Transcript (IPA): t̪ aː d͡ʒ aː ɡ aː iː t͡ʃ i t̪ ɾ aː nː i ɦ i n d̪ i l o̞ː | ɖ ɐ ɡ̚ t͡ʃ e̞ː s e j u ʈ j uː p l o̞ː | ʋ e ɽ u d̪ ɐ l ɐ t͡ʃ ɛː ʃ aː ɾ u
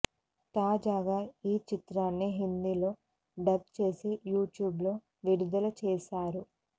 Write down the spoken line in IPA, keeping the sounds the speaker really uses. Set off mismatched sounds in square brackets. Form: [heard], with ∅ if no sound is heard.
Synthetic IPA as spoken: t̪ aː d͡ʒ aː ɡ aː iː t͡ʃ i t̪ ɾ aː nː i ɦ i n d̪ i l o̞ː | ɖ ɐ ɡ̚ t͡ʃ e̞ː s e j [uː] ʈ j uː [b] l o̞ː | ʋ [i] ɽ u d̪ ɐ l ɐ t͡ʃ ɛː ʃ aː ɾ u